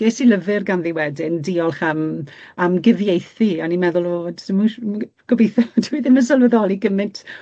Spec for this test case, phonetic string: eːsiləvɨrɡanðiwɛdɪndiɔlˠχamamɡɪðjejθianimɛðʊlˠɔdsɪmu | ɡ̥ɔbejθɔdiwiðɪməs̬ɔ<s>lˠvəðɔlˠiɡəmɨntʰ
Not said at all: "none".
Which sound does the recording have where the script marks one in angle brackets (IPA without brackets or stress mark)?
none